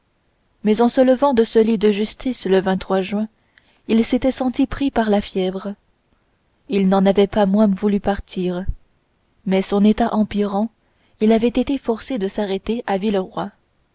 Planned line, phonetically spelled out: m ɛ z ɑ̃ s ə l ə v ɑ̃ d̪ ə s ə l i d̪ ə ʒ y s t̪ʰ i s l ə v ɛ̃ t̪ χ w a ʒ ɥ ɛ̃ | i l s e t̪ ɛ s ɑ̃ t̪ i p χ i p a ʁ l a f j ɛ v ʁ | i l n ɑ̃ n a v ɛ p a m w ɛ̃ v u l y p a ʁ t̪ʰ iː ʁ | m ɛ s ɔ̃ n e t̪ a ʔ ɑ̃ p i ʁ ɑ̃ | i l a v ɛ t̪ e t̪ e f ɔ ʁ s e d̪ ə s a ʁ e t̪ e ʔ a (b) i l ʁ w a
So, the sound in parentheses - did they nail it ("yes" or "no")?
no